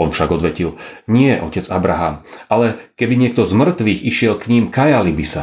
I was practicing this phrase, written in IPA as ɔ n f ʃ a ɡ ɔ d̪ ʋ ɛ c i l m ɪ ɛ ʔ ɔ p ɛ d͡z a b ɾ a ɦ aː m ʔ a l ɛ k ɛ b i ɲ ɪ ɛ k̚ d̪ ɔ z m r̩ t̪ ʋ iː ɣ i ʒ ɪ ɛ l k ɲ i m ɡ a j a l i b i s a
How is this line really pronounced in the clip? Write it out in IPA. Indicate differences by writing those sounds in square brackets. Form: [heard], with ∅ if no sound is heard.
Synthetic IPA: ɔ n f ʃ a ɡ ɔ d̪ ʋ ɛ c i l [ɲ] ɪ ɛ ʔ ɔ [c] ɛ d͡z a b ɾ a ɦ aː m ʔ a l ɛ k ɛ b i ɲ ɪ ɛ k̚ [t̪] ɔ z m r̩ t̪ ʋ iː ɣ i [ʃ] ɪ ɛ l k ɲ i m [k] a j a l i b i s a